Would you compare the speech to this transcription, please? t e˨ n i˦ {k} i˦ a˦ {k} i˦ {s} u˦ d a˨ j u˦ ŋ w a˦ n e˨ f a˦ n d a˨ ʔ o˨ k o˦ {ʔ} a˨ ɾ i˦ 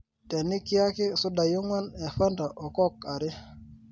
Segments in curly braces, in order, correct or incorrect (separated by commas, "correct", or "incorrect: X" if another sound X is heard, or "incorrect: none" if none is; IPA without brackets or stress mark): correct, correct, correct, incorrect: k